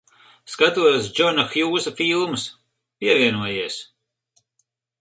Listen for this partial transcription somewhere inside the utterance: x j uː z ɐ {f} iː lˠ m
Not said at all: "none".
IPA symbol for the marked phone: f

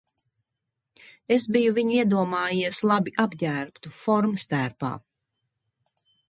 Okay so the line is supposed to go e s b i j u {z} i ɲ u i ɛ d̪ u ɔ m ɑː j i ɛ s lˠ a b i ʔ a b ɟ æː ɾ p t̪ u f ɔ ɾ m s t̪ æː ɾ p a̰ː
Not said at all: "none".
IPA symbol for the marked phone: v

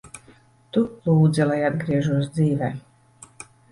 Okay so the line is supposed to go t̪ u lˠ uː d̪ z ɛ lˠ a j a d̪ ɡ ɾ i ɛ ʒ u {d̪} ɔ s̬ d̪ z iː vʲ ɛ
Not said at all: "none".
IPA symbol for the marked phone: none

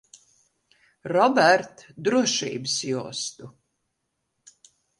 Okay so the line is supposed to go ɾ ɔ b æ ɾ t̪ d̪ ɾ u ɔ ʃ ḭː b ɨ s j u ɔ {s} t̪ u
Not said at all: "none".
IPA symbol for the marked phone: s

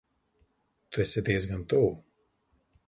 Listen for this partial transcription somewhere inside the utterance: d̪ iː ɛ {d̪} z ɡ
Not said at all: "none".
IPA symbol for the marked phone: none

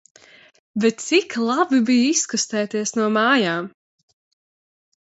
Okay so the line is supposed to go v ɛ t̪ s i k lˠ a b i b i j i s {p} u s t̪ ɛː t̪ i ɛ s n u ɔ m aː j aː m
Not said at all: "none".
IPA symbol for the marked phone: k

